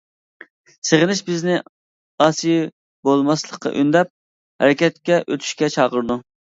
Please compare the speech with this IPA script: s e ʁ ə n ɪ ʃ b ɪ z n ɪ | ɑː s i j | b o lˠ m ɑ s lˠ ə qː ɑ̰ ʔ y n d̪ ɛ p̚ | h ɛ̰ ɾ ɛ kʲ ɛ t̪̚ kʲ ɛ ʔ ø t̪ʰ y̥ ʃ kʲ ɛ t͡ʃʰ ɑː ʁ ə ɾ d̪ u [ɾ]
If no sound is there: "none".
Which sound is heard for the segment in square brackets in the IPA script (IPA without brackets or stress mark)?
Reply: none